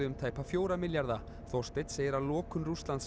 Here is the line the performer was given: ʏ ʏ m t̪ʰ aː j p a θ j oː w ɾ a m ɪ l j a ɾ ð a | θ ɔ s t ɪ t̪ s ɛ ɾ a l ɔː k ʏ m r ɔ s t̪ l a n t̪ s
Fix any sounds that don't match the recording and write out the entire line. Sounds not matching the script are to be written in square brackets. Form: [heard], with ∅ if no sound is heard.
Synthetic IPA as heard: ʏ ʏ m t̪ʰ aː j p a [f] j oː w ɾ a m ɪ l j a ɾ ð a | θ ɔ s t ɪ t̪ s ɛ ɾ a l ɔː k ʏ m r [u] s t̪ l a n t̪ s